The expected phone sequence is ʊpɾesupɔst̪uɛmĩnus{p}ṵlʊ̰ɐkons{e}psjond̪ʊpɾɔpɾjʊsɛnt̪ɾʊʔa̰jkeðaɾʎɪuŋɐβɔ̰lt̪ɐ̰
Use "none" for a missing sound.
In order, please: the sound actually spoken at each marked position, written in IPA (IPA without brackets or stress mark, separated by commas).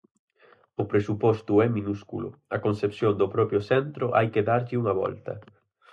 k, e